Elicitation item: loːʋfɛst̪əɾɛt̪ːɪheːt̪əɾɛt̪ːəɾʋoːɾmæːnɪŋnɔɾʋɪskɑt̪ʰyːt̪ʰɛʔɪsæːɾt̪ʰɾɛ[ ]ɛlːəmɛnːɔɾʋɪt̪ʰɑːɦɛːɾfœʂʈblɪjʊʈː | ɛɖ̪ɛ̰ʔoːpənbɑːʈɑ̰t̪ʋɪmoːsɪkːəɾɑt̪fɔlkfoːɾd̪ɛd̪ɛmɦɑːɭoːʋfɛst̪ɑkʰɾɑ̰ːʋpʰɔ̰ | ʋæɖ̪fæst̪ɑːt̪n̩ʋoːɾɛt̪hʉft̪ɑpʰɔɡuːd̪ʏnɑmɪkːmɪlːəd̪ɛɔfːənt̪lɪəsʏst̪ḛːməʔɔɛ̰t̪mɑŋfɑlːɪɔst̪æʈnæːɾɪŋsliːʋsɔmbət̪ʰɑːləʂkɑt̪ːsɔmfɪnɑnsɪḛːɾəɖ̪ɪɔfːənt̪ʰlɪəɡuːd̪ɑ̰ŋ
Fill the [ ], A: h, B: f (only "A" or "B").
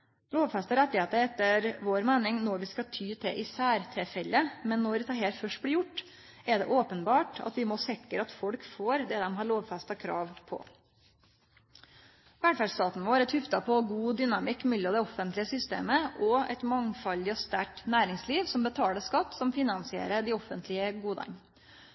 B